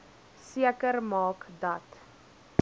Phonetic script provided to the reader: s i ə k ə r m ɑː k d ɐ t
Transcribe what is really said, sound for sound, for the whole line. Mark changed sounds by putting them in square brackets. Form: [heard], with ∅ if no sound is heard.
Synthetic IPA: s i ə k ə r m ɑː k d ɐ t